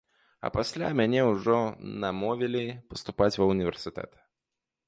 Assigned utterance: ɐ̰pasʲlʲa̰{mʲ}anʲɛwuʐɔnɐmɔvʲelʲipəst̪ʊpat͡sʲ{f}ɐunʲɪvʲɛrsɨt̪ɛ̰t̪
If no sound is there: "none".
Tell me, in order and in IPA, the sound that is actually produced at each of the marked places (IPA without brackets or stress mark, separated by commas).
mʲ, v